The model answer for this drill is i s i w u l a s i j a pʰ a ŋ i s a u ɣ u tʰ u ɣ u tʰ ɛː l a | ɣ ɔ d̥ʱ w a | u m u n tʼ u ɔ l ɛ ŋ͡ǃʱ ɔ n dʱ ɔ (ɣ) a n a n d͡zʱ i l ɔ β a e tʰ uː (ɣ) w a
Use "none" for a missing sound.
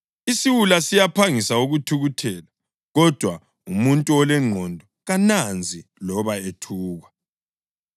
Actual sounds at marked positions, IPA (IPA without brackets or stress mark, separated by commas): ɣ, ɣ